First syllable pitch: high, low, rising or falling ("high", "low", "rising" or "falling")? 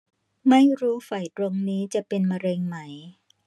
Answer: falling